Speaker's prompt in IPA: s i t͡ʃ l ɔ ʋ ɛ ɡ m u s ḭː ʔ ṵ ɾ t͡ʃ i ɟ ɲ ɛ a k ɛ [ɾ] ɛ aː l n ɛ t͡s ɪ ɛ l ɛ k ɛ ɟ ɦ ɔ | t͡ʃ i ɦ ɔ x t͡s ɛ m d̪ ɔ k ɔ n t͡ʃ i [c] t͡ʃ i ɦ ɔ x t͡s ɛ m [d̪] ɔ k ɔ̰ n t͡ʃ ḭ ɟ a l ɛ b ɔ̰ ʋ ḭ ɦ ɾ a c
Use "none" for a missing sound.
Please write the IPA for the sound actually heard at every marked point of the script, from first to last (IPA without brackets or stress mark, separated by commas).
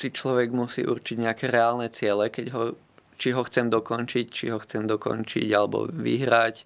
ɾ, c, d̪